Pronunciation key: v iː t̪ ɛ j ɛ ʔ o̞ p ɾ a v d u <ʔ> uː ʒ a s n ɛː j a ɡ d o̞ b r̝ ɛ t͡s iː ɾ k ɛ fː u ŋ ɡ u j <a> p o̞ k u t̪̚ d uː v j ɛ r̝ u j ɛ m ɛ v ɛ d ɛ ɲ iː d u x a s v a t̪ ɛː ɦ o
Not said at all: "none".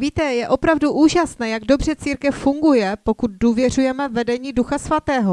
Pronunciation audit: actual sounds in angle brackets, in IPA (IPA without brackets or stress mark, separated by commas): ʔ, ɛ